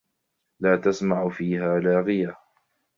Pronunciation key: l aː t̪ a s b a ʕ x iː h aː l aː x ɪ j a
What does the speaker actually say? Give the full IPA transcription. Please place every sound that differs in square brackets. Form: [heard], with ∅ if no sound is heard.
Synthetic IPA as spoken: l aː t̪ a s [m] a ʕ [f] iː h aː l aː [ɣ] ɪ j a